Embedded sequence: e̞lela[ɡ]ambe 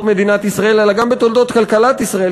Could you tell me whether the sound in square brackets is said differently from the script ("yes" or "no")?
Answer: no